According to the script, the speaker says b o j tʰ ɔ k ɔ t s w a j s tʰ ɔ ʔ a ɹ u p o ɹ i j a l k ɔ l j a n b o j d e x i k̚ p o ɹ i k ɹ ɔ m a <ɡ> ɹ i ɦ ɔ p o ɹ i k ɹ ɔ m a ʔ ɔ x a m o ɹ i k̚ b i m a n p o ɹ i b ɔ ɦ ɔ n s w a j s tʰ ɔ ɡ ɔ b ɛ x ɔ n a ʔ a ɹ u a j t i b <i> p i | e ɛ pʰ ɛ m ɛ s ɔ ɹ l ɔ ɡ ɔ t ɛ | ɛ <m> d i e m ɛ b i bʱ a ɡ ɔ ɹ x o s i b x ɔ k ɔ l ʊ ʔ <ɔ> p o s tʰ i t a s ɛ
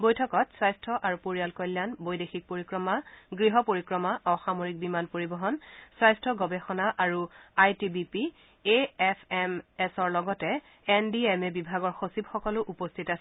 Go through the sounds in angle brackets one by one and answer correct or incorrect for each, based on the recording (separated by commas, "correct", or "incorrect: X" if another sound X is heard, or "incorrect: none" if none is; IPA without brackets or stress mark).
correct, correct, incorrect: n, incorrect: u